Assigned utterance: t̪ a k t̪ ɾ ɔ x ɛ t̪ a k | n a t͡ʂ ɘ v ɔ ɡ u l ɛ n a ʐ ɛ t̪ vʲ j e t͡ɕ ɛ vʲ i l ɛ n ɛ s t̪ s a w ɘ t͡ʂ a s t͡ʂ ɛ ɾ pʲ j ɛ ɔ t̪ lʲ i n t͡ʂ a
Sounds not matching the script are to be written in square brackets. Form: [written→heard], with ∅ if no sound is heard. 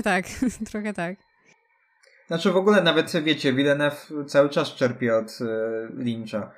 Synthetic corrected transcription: t̪ a k t̪ ɾ ɔ x ɛ t̪ a k | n a t͡ʂ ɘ v ɔ ɡ u l ɛ n a [ʐ→v] ɛ t̪ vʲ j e t͡ɕ ɛ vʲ i l ɛ n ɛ [s→f] t̪ s a w ɘ t͡ʂ a s t͡ʂ ɛ ɾ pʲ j ɛ ɔ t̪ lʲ i n t͡ʂ a